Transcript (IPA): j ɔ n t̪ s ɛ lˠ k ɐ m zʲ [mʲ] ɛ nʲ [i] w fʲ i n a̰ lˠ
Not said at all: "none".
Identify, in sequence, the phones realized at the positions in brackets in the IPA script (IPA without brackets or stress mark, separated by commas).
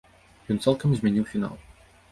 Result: mʲ, i